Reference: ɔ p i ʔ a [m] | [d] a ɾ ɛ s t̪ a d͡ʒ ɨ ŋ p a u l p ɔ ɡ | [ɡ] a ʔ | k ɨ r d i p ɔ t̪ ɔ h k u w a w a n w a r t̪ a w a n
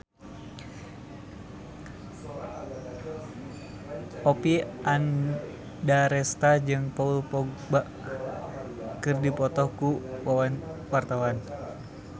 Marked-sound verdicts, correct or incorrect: incorrect: n, correct, incorrect: b

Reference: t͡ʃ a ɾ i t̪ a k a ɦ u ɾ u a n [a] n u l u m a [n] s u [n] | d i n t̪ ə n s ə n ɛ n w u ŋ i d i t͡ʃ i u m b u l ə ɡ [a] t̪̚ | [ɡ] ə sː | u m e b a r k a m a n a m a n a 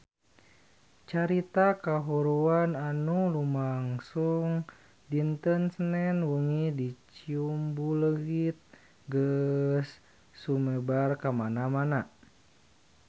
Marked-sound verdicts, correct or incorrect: correct, incorrect: ŋ, incorrect: ŋ, incorrect: i, correct

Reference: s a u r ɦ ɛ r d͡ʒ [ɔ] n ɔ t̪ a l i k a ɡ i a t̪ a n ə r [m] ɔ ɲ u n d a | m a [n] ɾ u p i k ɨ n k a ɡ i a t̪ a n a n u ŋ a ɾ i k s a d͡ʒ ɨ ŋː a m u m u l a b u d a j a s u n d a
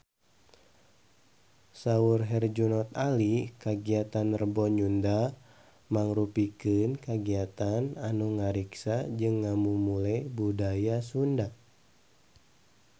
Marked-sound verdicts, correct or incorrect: incorrect: u, incorrect: b, incorrect: ŋ

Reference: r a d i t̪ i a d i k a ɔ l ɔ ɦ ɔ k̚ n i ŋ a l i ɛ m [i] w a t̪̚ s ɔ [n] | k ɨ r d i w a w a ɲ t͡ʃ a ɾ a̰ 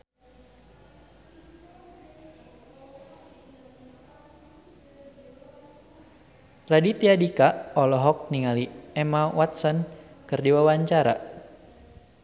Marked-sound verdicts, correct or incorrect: incorrect: a, correct

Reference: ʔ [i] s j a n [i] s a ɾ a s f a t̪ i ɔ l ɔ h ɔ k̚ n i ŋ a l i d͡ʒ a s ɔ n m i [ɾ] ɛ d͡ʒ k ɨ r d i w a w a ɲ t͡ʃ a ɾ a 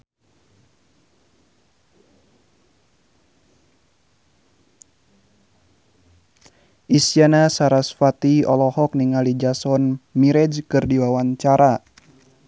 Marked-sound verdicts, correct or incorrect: correct, incorrect: a, correct

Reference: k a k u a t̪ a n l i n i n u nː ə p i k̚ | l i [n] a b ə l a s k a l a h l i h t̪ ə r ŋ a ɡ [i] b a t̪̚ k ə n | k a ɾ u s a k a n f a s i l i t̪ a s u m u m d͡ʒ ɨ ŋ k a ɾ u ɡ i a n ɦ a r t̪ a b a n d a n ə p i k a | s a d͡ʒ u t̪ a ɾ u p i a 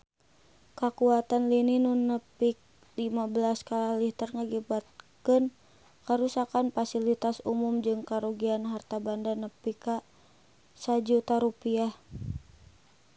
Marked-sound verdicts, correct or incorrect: incorrect: m, correct

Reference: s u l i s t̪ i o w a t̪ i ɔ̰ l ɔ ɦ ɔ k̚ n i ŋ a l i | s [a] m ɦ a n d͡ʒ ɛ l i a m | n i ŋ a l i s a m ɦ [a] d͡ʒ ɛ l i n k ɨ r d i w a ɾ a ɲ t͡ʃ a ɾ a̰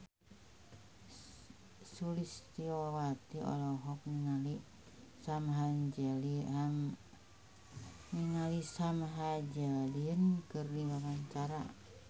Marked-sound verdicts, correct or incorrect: correct, correct

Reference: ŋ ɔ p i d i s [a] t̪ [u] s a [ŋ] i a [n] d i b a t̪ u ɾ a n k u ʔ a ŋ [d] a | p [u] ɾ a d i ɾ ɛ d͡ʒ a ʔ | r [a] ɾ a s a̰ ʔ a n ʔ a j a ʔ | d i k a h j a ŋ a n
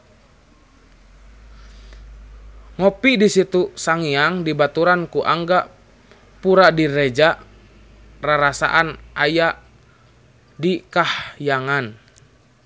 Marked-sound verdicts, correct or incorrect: incorrect: i, correct, correct, incorrect: ŋ, incorrect: ɡ, correct, correct

